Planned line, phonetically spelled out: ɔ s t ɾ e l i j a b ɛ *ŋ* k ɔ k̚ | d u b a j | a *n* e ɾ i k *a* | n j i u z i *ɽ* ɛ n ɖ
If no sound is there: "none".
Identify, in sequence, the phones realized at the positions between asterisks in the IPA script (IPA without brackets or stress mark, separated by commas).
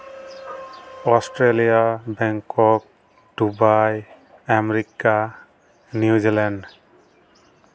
ŋ, m, a, l